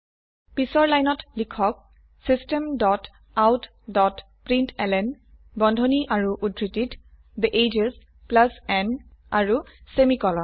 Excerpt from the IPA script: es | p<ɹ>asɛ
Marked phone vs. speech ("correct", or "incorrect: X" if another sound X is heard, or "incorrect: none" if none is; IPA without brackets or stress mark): incorrect: l